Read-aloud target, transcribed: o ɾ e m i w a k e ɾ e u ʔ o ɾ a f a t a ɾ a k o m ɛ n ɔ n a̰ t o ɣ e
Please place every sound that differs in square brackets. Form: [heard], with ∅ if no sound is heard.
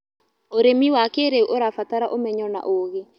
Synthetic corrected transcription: o ɾ e m i w a k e ɾ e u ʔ o ɾ a f a t a ɾ a [ʔ] o m ɛ [ɲ] ɔ n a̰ [ʔ] o ɣ e